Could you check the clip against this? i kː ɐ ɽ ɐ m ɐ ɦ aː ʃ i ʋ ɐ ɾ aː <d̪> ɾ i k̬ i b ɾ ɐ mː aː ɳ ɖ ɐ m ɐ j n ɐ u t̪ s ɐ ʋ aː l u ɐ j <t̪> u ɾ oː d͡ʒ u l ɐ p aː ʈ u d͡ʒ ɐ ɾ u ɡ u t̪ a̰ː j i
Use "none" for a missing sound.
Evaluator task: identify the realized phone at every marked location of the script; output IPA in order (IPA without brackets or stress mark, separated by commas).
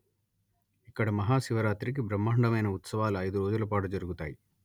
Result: t̪, d̪